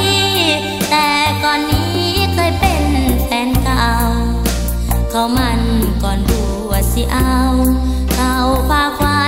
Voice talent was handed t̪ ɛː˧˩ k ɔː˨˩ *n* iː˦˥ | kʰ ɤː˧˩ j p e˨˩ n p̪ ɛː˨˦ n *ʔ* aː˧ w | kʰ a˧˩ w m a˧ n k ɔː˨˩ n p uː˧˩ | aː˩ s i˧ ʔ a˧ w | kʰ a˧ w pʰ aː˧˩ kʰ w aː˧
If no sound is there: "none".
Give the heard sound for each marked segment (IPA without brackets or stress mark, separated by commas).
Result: nː, k